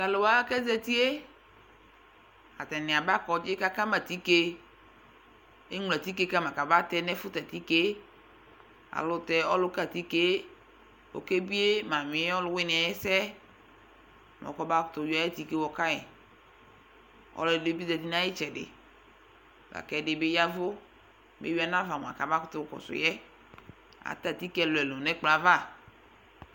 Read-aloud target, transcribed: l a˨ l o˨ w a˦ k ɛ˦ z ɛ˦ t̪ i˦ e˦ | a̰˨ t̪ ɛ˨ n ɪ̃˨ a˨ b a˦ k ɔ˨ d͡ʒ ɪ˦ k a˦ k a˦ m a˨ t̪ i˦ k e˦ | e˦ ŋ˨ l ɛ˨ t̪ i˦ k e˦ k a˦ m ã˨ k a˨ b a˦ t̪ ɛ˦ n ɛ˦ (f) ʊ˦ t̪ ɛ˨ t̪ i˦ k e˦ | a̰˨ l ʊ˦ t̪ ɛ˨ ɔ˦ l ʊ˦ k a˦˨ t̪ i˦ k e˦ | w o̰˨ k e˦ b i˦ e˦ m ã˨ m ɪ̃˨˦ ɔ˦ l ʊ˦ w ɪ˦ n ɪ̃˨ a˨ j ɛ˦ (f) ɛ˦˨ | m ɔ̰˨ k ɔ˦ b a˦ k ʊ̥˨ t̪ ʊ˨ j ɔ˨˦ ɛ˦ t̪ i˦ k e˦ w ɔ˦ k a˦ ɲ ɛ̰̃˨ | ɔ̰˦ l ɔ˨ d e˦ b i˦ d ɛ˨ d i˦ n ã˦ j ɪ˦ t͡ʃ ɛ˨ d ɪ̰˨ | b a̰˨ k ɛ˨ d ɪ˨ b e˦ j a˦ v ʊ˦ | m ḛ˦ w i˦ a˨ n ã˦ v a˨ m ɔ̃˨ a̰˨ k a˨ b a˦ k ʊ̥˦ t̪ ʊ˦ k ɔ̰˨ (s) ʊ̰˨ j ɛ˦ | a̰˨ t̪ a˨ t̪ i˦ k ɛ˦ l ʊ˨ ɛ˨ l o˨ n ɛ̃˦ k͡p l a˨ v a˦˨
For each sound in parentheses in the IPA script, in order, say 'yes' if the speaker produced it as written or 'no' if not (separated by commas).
yes, no, yes